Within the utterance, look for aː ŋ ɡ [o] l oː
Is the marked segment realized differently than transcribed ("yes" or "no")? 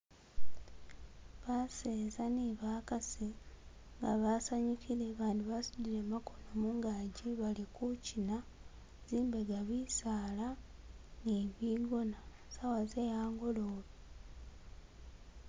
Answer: no